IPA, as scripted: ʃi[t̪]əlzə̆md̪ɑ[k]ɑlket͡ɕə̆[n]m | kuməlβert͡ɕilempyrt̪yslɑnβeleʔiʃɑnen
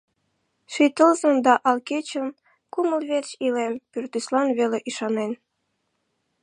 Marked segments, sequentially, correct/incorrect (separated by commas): correct, incorrect, incorrect